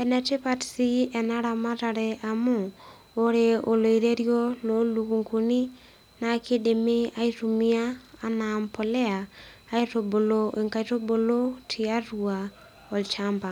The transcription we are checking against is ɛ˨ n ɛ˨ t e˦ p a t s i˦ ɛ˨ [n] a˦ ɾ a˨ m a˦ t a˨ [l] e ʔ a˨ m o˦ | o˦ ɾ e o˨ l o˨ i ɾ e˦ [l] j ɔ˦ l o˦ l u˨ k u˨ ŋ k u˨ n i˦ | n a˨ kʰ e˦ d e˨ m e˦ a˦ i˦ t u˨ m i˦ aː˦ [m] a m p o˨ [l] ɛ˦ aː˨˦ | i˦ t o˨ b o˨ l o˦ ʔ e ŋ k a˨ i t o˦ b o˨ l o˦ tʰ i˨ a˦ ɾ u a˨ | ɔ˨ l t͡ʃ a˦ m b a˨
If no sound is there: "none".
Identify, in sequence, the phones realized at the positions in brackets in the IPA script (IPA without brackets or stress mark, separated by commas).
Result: n, ɾ, ɾ, n, l